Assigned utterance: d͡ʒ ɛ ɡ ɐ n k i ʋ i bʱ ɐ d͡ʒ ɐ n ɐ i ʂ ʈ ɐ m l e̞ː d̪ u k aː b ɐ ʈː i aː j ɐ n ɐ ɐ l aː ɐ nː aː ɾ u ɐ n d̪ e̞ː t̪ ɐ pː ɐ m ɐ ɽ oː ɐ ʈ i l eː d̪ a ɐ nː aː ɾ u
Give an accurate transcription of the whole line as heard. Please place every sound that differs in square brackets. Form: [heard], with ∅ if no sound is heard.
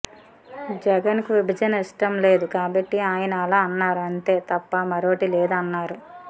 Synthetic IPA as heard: d͡ʒ ɛ ɡ ɐ n k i ʋ i bʱ ɐ d͡ʒ ɐ n ɐ i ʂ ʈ ɐ m l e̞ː d̪ u k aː b ɐ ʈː i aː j ɐ n ɐ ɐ l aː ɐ nː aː ɾ u ɐ n [t̪] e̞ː t̪ ɐ pː ɐ m ɐ [ɾ] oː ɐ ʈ i l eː d̪ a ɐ nː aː ɾ u